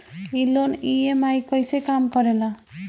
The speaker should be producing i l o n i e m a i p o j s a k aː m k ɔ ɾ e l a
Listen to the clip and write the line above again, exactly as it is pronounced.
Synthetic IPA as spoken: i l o n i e m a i k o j s e k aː m k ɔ ɾ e l a